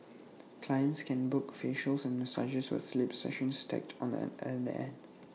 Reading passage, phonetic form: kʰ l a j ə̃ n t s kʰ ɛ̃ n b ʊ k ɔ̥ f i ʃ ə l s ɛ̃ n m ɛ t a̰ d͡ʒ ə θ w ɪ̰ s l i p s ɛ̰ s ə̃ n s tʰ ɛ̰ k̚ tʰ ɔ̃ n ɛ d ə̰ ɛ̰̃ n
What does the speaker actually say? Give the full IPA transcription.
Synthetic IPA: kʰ l a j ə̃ n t s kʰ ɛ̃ n b ʊ k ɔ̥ f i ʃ ə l s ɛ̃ n m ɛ s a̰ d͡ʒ ə s w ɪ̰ s l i p s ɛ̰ ʃ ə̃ n s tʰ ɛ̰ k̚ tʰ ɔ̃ n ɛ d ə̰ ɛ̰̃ n